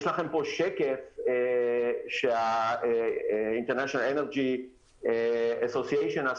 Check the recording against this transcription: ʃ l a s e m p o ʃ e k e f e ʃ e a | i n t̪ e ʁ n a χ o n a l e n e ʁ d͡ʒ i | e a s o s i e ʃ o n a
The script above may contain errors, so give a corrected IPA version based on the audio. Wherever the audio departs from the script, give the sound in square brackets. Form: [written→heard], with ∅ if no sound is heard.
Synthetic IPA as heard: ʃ l a [s→χ] e m p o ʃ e k e f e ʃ e a | i n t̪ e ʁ n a [χ→ʃ] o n a l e n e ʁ d͡ʒ i | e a s o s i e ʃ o n a